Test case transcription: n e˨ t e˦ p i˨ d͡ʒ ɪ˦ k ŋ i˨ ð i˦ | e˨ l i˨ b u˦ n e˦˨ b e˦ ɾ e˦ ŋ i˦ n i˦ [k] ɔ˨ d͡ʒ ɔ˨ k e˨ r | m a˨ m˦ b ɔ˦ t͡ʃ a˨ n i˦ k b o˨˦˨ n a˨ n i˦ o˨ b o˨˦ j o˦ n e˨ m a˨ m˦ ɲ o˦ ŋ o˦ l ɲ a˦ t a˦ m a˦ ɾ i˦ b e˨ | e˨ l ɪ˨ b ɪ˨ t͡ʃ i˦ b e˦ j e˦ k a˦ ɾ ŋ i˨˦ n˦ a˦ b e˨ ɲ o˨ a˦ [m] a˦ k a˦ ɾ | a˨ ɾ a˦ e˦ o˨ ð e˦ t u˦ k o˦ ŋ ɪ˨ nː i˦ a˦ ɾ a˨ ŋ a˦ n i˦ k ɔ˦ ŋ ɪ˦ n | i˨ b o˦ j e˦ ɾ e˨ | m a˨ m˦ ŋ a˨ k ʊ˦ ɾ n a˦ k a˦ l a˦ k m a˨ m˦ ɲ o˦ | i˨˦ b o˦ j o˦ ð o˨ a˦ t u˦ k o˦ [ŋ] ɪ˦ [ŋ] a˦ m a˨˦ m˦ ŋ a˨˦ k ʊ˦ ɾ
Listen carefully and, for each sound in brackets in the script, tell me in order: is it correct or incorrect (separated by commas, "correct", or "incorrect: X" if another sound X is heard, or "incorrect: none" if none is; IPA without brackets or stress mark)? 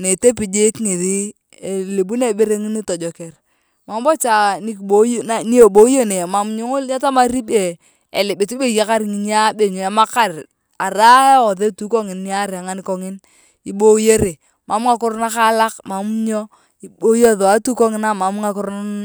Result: incorrect: t, correct, correct, incorrect: n